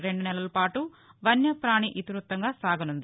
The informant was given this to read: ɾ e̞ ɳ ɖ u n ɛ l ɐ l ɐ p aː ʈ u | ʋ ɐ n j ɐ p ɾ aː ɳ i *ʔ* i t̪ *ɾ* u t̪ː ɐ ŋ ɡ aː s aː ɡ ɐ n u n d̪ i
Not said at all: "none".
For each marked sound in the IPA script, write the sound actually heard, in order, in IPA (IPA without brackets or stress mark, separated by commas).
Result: ʔ, ɾ